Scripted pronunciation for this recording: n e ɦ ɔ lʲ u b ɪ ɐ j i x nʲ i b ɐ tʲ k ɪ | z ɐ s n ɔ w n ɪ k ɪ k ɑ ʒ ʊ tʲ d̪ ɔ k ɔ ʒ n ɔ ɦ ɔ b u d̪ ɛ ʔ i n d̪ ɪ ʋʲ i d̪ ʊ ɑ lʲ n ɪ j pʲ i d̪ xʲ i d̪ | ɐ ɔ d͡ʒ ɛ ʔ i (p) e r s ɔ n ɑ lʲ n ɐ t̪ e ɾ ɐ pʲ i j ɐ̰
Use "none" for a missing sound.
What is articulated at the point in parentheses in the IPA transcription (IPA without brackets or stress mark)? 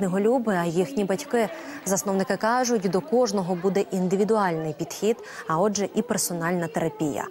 p